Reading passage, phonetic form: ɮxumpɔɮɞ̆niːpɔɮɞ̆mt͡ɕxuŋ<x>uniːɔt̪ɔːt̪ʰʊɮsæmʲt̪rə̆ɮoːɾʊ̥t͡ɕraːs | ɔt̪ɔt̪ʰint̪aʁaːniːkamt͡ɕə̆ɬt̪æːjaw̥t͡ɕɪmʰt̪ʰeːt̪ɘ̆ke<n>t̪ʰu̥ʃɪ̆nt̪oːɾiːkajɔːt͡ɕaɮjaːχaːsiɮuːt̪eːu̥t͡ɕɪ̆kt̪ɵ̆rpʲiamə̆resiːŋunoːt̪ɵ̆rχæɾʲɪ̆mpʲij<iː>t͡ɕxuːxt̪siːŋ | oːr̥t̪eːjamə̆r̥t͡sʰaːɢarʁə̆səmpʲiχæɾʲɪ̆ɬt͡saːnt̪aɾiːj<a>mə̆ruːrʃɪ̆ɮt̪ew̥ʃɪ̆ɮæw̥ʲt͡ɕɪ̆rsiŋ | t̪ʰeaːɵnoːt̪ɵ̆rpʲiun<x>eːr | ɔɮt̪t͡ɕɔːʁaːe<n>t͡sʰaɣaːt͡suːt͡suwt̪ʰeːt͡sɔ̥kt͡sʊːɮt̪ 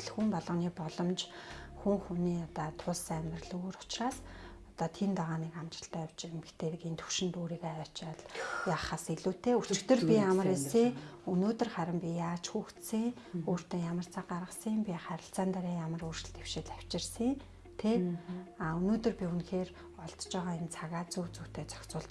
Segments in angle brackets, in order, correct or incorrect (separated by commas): correct, correct, incorrect, correct, correct, correct